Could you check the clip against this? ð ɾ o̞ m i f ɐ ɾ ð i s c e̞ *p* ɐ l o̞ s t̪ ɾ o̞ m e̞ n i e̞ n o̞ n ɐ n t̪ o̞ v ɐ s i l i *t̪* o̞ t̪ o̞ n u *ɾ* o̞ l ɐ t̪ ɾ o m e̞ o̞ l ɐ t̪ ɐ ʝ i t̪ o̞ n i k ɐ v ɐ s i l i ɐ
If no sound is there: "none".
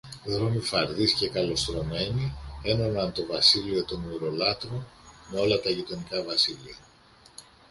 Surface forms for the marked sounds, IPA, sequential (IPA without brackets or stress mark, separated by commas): k, none, ɾ